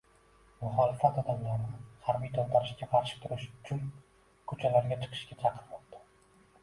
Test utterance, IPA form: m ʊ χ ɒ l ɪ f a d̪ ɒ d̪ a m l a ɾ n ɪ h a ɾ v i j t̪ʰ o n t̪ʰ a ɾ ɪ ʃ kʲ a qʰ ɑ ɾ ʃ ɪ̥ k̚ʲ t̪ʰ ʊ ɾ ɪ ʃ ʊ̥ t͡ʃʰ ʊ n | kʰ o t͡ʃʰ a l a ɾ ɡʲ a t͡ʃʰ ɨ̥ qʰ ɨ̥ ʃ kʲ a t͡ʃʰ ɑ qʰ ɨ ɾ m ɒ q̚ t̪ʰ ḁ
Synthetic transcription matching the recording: m ʊ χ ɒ l ɪ f a t̪ ɒ d̪ a m l a ɾ n ɪ h a ɾ b i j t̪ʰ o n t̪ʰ a ɾ ɪ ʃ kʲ a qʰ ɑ ɾ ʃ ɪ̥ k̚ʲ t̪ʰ ʊ ɾ ɪ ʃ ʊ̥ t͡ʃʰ ʊ n | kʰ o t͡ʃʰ a l a ɾ ɡʲ a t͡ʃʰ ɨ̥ qʰ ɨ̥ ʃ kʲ a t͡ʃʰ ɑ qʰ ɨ ɾ m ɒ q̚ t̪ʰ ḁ